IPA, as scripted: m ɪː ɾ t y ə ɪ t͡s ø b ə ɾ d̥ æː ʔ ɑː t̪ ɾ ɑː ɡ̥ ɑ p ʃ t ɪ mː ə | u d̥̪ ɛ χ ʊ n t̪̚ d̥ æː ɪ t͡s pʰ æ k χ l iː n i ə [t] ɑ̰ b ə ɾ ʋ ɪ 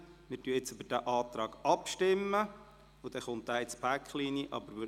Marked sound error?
yes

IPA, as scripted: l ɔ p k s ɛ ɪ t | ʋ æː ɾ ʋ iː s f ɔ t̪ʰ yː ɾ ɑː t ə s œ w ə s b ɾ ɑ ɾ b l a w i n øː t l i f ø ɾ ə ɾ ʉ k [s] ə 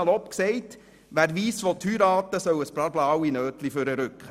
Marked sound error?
yes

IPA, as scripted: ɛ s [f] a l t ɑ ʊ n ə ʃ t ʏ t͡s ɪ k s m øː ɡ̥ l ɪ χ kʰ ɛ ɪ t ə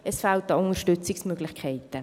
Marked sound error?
no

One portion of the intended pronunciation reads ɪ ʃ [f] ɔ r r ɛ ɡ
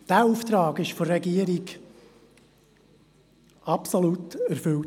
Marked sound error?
no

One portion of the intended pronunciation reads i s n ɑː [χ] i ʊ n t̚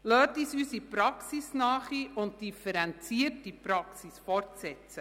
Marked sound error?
no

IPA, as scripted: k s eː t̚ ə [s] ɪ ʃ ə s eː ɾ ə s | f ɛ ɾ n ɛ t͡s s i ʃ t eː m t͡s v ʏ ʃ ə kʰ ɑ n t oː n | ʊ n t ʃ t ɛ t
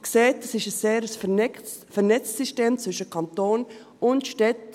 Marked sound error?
no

